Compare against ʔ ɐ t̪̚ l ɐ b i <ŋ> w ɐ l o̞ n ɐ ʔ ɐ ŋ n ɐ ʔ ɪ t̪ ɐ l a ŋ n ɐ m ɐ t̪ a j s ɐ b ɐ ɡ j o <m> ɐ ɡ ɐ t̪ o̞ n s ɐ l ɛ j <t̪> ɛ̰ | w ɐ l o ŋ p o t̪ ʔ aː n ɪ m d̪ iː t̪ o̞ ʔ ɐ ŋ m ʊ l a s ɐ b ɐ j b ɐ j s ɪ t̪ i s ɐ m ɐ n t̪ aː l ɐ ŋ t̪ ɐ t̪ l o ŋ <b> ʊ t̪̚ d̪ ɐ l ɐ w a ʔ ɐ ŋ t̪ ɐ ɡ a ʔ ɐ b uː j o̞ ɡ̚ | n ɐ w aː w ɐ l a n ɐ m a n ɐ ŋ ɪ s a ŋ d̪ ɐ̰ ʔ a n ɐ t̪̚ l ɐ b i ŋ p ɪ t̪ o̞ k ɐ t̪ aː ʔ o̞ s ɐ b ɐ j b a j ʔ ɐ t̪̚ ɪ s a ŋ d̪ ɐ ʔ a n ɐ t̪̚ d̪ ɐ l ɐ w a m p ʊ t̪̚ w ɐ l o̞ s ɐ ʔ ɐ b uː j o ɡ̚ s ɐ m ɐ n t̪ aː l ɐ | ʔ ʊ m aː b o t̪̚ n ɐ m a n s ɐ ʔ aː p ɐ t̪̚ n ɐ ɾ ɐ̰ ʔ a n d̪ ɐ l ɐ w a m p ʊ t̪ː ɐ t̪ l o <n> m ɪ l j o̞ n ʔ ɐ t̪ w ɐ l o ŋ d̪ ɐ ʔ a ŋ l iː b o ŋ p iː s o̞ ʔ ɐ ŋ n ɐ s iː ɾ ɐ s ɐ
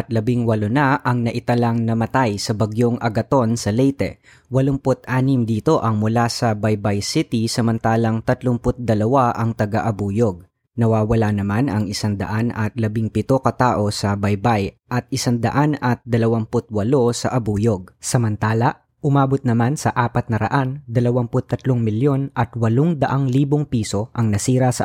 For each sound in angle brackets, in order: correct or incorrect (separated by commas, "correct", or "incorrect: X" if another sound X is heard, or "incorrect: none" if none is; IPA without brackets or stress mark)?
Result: correct, incorrect: ŋ, correct, incorrect: p, incorrect: ŋ